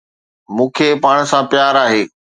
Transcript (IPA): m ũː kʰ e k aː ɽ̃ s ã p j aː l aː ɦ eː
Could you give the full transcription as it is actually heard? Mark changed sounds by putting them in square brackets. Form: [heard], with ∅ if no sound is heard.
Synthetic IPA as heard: m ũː kʰ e [p] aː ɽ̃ s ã p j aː [ɾ] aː ɦ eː

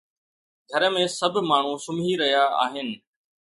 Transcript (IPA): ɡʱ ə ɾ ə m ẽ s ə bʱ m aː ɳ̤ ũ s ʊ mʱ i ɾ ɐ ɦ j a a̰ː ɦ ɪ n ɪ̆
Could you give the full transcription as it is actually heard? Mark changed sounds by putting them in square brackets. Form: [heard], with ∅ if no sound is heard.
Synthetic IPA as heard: ɡʱ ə ɾ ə m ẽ s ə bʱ m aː ɳ̤ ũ s ʊ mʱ i ɾ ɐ ɦ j a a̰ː ɦ ɪ n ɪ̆

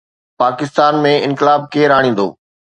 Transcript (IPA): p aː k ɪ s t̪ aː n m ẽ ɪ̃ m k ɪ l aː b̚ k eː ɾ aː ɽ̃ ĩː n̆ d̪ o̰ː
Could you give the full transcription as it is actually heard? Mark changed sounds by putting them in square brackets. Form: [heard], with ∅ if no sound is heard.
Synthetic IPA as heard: p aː k ɪ s t̪ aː n m ẽ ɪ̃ [n] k ɪ l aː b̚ k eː ɾ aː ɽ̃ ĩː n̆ d̪ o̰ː

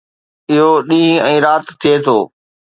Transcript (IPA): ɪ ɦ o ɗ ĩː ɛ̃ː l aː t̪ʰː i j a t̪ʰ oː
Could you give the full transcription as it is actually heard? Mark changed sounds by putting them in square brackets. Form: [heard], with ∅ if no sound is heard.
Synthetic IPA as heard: ɪ ɦ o ɗ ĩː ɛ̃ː [ɾ] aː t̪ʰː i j [e] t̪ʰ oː

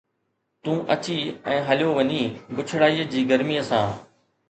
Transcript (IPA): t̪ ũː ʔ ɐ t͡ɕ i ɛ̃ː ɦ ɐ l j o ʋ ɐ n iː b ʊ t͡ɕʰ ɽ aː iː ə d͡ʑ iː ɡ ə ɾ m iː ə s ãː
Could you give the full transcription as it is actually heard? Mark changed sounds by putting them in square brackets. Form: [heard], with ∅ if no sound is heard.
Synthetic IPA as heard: t̪ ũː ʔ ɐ t͡ɕ i ɛ̃ː ɦ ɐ l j o ʋ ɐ [ɲ] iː b ʊ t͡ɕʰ ɽ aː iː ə d͡ʑ iː ɡ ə ɾ m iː ə s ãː

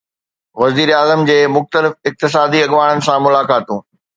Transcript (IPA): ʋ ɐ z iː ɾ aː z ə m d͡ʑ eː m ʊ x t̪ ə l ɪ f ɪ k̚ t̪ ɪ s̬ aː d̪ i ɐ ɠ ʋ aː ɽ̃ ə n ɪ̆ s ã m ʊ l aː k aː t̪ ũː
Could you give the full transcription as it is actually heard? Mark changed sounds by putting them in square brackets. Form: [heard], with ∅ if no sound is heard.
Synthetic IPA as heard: ʋ ɐ z iː ɾ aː z ə m d͡ʑ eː m ʊ x t̪ ə l ɪ f ɪ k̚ t̪ ɪ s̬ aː d̪ i ɐ ɠ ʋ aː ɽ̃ ə n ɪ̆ s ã m ʊ l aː k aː t̪ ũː

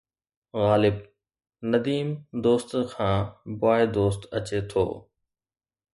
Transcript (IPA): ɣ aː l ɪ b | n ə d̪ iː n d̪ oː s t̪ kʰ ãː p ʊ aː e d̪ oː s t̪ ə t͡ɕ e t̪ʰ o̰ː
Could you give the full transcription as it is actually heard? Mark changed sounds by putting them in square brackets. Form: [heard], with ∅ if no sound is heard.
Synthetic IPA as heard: ɣ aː l ɪ b | n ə d̪ iː [m] d̪ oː s t̪ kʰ ãː [b] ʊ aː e d̪ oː s t̪ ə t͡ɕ e t̪ʰ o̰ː

